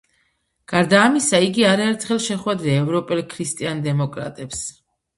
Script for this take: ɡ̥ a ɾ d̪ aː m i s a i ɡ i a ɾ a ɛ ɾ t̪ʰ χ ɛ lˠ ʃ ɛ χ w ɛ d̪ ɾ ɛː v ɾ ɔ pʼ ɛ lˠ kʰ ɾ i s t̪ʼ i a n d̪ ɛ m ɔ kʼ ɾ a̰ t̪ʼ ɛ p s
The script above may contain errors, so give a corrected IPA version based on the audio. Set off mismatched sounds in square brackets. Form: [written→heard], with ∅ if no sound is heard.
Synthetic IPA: ɡ̥ a ɾ d̪ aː m i s a i ɡ i a ɾ a ɛ ɾ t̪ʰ χ ɛ lˠ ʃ ɛ χ w ɛ d̪ ɾ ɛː v ɾ ɔ pʼ ɛ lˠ kʰ ɾ i s t̪ʼ i a n d̪ ɛ m ɔ kʼ ɾ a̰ t̪ʼ ɛ p s